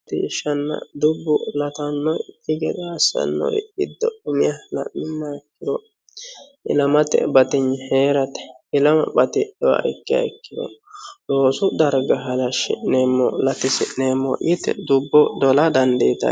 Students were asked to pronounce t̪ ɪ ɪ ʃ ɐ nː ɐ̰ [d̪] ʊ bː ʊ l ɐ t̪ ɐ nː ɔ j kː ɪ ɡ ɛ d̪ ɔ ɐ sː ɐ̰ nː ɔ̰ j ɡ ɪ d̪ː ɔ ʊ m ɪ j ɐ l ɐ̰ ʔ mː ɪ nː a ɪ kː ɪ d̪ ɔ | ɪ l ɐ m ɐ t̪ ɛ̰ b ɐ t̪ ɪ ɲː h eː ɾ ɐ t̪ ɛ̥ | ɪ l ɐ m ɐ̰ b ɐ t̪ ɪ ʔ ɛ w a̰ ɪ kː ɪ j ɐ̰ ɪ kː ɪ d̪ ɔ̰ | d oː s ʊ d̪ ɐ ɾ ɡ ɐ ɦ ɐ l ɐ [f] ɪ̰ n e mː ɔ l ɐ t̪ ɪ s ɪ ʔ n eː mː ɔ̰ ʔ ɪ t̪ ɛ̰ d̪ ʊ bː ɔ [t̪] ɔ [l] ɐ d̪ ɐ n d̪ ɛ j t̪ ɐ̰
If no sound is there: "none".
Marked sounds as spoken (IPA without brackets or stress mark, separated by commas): d̪, ʃ, d̪, l